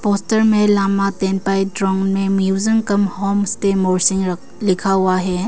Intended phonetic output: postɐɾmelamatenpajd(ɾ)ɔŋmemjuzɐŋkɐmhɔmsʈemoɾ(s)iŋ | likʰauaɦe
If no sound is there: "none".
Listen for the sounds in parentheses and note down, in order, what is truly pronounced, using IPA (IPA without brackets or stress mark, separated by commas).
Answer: ɾ, s